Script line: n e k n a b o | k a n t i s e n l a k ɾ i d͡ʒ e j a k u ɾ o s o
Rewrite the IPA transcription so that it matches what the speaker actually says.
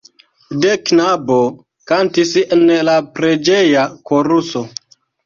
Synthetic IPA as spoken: d e k n a b o | k a n t i s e n l a p ɾ e d͡ʒ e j a k o ɾ u s o